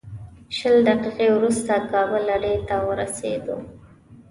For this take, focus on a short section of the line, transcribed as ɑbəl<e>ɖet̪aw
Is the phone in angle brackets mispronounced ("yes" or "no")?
yes